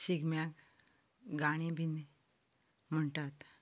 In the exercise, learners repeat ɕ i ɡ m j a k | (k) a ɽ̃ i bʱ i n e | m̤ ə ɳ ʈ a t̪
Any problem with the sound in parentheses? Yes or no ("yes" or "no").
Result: yes